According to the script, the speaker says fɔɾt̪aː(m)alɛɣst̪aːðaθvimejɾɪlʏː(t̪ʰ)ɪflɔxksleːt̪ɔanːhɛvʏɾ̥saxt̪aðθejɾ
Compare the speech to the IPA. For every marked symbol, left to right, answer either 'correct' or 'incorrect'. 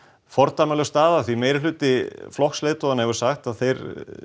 correct, incorrect: t̪

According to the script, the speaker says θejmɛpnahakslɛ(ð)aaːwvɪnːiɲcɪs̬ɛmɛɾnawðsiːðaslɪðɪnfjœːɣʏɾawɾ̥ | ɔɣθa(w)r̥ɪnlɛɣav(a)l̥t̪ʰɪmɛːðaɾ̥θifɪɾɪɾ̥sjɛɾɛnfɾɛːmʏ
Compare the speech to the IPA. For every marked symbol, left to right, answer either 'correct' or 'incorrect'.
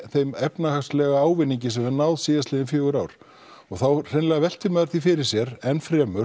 incorrect: ɣ, correct, incorrect: ɛ

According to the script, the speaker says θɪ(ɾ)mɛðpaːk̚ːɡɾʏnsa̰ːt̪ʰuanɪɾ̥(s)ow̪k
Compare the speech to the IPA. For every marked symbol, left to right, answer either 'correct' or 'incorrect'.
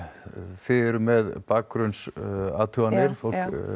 correct, incorrect: f

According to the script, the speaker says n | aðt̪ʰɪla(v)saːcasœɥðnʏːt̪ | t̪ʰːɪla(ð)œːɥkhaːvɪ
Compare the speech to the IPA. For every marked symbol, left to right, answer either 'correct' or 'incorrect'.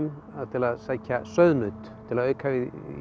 incorrect: ð, correct

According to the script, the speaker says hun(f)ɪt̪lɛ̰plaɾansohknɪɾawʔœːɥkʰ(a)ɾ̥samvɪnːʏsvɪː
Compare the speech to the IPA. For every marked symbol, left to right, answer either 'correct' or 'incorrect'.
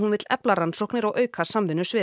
incorrect: v, correct

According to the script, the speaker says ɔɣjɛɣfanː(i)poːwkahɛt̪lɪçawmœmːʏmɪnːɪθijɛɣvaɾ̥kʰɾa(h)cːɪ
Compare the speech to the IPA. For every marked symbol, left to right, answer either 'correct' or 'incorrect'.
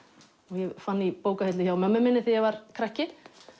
correct, correct

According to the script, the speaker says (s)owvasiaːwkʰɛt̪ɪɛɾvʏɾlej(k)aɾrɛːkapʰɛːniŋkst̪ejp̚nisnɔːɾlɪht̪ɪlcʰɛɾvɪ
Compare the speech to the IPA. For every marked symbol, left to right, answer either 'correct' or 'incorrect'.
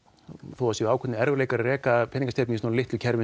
incorrect: θ, correct

